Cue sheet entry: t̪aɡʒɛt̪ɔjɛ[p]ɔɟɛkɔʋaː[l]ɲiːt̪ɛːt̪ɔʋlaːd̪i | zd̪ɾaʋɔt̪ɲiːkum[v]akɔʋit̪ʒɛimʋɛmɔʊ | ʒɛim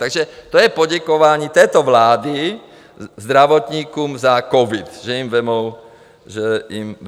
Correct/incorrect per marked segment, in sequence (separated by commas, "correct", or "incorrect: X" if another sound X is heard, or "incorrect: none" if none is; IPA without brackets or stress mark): correct, incorrect: none, incorrect: z